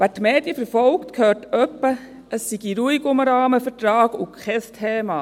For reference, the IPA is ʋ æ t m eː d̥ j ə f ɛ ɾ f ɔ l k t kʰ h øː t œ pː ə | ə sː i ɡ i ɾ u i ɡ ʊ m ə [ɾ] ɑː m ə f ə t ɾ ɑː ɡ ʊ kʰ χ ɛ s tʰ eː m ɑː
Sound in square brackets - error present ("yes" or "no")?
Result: no